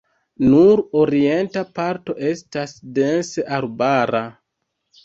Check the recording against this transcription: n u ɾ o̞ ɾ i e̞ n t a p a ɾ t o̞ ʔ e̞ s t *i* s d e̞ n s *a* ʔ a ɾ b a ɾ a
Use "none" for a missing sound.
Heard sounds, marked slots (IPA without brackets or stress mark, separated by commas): a, e